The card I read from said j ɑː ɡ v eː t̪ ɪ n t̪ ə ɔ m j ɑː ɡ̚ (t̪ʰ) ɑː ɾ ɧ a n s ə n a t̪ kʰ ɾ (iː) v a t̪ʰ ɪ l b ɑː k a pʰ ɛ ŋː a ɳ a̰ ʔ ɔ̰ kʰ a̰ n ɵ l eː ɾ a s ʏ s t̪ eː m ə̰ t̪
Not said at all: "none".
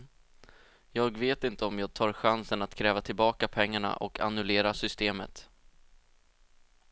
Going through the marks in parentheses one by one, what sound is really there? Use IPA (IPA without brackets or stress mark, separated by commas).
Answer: t̪ʰ, ɛː